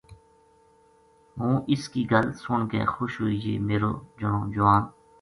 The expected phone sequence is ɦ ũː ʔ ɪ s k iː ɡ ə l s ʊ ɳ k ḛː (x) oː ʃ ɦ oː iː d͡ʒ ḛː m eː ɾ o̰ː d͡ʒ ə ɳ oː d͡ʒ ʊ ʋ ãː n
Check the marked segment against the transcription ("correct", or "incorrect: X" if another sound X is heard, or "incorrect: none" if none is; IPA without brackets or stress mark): correct